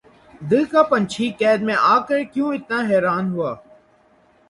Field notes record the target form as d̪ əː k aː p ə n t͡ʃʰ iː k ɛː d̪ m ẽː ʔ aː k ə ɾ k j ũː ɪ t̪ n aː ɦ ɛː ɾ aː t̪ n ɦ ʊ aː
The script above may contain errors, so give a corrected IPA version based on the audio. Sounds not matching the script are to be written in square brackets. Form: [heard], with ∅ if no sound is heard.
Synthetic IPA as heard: d̪ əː k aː p ə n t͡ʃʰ iː k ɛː d̪ m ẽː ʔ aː k ə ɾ k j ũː ɪ t̪ n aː ɦ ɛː ɾ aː [∅] n ɦ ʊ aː